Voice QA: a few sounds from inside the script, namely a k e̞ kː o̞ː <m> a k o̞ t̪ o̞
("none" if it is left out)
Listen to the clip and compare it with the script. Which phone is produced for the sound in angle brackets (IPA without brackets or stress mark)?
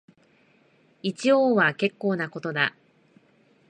n